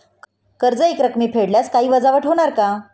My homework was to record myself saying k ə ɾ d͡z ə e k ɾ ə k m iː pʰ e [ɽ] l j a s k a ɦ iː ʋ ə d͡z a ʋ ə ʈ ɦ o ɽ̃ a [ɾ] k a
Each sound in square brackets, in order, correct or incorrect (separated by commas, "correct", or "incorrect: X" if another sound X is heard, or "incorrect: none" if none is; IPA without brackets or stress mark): correct, correct